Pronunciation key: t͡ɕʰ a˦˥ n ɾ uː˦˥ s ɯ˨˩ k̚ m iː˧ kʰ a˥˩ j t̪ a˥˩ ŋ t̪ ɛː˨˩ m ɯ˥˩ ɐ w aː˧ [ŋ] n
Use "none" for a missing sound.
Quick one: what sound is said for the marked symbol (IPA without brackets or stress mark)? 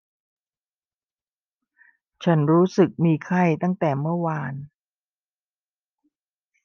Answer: none